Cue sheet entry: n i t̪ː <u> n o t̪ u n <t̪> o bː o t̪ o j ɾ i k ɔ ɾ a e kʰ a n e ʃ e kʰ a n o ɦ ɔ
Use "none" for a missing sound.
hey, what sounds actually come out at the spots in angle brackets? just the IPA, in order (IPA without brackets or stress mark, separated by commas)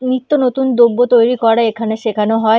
o, d̪